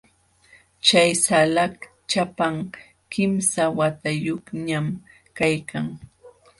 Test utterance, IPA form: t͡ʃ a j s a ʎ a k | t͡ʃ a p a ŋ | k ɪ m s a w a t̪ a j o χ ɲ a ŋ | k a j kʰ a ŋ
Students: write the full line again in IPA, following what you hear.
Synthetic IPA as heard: t͡ʃ a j s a l a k | t͡ʃ a p a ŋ | k ɪ m s a w a t̪ a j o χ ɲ a m | k a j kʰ a ŋ